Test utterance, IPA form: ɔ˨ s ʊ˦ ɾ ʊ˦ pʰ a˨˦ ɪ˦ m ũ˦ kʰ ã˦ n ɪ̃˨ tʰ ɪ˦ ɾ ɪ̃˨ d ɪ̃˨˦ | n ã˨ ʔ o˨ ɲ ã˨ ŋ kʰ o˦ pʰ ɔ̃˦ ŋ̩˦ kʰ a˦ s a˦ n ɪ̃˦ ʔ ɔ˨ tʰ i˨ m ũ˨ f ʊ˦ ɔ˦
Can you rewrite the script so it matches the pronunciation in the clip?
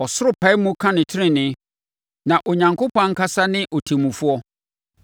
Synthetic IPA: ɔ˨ s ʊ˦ ɾ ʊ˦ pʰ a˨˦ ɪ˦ m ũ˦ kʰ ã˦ n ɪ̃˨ tʰ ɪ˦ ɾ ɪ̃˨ n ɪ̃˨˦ | n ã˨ ʔ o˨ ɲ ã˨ ŋ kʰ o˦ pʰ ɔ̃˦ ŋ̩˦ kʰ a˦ s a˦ n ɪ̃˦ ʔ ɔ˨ tʰ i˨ m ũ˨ f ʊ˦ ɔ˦